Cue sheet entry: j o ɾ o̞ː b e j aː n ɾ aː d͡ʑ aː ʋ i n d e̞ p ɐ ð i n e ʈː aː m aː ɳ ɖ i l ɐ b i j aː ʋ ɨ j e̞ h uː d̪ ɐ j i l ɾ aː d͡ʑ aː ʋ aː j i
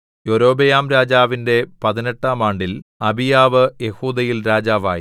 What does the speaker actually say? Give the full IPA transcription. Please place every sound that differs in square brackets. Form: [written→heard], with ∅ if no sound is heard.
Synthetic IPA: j o ɾ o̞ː b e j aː [n→m] ɾ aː d͡ʑ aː ʋ i n d e̞ p ɐ ð i n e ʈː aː m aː ɳ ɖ i l ɐ b i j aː ʋ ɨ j e̞ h uː d̪ ɐ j i l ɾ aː d͡ʑ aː ʋ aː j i

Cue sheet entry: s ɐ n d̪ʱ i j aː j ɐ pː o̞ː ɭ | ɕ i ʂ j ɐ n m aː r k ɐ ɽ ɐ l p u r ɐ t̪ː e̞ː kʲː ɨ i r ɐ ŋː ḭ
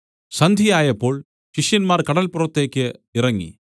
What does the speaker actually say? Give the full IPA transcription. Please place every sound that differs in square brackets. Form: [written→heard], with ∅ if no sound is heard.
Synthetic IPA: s ɐ n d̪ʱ i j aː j ɐ pː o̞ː ɭ | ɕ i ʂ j ɐ n m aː r k ɐ ɽ ɐ l p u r ɐ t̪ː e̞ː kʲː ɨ i r ɐ ŋː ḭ

